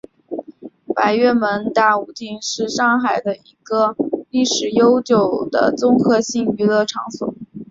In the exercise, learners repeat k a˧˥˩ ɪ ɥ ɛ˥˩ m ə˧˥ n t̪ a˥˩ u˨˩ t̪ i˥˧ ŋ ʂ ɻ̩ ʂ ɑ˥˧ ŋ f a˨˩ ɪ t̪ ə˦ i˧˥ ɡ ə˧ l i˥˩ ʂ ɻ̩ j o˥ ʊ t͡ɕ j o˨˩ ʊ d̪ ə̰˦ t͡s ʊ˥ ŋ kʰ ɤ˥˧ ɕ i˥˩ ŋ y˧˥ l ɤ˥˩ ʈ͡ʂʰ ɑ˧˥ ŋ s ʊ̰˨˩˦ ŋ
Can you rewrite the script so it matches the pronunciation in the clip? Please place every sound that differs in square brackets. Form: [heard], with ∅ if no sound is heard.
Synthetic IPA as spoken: [p] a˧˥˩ ɪ ɥ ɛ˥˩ m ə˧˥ n t̪ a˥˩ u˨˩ t̪ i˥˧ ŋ ʂ ɻ̩ ʂ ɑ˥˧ ŋ [x] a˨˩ ɪ [d̪] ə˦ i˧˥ ɡ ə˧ l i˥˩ ʂ ɻ̩ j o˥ ʊ t͡ɕ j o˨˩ ʊ d̪ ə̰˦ t͡s ʊ˥ ŋ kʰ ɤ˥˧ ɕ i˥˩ ŋ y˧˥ l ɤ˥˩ ʈ͡ʂʰ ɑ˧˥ ŋ s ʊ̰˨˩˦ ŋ